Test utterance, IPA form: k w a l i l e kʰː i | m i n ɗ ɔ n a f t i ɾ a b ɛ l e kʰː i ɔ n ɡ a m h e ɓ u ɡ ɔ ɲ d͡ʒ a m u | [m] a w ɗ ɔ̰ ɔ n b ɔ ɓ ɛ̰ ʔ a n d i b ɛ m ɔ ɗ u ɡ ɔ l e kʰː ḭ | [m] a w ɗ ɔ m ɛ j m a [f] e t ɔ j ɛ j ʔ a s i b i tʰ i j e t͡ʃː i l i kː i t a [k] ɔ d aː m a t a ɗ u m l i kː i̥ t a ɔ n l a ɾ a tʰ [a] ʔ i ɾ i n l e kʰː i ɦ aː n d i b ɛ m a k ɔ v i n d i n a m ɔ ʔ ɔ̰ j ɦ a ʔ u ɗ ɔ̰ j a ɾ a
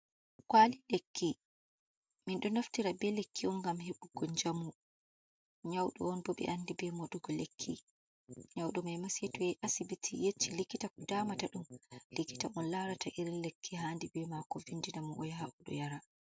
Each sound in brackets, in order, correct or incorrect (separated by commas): incorrect, incorrect, incorrect, correct, correct